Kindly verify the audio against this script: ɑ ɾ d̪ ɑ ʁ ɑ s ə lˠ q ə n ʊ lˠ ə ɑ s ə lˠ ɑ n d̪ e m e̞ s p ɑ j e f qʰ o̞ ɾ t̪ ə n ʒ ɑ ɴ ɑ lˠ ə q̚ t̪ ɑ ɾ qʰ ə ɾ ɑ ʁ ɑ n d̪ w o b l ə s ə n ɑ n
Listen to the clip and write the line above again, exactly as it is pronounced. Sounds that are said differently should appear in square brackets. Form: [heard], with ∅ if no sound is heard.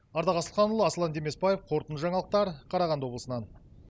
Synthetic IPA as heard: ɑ ɾ d̪ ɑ ʁ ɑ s ə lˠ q [ɑ] n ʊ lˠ ə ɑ s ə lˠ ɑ n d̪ e m e̞ s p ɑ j e f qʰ o̞ ɾ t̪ ə n ʒ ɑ ɴ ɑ lˠ ə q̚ t̪ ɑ ɾ qʰ [ɑ] ɾ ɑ ʁ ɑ n d̪ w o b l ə s ə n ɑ n